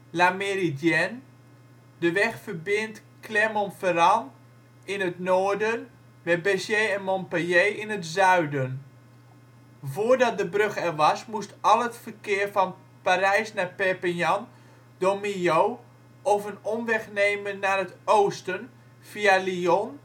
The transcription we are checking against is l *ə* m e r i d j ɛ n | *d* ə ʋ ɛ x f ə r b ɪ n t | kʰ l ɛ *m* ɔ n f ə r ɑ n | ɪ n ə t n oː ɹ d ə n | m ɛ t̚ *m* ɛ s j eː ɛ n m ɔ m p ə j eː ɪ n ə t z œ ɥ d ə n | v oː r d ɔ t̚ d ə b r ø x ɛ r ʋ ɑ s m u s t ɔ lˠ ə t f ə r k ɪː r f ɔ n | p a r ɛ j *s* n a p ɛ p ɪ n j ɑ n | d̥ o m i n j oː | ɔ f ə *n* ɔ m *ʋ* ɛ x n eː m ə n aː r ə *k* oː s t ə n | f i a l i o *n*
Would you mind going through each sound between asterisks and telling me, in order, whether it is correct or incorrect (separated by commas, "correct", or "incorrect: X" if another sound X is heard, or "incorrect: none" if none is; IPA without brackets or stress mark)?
incorrect: a, correct, correct, incorrect: b, correct, correct, correct, incorrect: t, correct